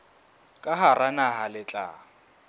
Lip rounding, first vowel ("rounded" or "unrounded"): unrounded